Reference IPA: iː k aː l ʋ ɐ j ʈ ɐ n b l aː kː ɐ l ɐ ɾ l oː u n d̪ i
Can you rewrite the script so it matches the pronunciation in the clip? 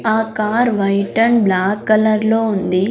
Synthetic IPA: aː k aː ɾ ʋ ɐ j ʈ ɐ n b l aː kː ɐ l ɐ ɾ l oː u n d̪ i